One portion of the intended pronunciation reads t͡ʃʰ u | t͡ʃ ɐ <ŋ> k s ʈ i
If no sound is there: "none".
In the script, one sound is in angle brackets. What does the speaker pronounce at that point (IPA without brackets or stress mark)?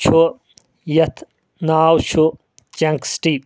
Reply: ŋ